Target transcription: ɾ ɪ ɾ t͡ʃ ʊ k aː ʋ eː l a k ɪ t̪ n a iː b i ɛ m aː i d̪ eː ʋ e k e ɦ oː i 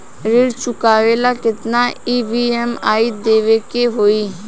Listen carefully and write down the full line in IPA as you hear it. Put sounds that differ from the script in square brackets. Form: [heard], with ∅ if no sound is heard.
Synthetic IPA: ɾ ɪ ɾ t͡ʃ ʊ k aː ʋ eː l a k ɪ t̪ n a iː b i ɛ m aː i d̪ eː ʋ e k e ɦ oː i